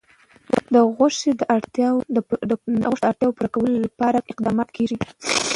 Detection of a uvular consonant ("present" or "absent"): present